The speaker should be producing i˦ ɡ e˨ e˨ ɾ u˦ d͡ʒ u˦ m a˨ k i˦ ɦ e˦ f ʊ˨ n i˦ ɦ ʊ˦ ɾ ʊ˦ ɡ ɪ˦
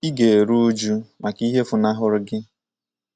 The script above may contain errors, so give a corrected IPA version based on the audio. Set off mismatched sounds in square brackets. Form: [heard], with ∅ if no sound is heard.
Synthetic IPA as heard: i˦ ɡ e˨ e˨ ɾ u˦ d͡ʒ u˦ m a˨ k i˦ ɦ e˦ f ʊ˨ n [a˦] ɦ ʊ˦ ɾ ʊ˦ ɡ ɪ˦